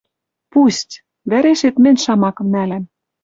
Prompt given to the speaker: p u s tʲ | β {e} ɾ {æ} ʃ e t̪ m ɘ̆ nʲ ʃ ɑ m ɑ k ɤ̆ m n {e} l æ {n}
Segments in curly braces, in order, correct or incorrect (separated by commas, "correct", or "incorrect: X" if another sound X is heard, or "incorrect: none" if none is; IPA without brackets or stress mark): incorrect: æ, incorrect: e, incorrect: æ, incorrect: m